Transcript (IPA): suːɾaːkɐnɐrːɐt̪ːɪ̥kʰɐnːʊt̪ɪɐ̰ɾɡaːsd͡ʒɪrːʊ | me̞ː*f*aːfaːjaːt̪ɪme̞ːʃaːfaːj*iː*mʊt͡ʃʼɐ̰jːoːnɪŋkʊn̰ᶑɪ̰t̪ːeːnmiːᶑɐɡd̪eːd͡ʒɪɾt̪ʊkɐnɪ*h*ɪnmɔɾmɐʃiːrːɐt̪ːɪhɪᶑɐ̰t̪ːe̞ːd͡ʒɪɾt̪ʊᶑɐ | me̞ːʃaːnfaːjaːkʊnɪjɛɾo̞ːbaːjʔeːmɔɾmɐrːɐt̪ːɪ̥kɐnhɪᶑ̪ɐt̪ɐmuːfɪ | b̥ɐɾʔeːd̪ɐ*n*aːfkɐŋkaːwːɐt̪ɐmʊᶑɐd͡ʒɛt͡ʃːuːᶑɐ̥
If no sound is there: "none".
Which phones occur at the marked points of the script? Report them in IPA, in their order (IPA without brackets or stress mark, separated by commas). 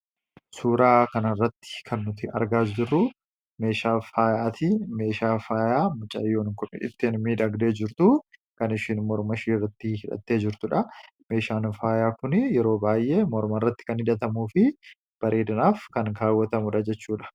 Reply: ʃ, aː, ʃ, n